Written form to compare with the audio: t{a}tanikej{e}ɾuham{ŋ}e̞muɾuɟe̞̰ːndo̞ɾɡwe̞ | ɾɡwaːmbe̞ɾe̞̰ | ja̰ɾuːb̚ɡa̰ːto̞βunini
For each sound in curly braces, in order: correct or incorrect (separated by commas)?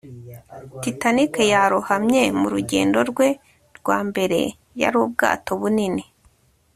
incorrect, incorrect, incorrect